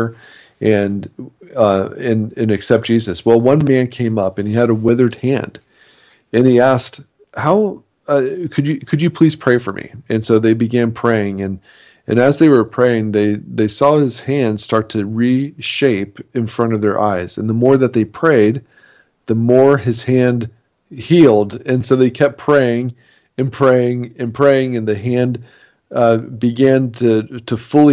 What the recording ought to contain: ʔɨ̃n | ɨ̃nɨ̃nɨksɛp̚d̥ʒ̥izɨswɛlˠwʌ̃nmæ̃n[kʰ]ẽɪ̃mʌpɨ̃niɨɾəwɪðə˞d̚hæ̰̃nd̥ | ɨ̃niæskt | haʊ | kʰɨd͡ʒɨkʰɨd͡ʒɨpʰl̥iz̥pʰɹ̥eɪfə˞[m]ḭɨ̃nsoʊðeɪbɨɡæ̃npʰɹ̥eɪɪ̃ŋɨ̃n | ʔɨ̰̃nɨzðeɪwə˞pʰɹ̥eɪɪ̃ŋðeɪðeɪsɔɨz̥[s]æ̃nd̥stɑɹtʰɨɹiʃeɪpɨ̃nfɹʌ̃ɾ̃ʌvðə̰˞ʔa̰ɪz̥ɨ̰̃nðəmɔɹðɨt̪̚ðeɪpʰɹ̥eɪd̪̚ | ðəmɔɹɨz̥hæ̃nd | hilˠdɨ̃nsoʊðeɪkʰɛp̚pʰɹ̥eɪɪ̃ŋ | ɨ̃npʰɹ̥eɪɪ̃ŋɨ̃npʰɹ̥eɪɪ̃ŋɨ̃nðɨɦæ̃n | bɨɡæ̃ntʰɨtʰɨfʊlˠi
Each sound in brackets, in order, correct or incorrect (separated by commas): correct, correct, incorrect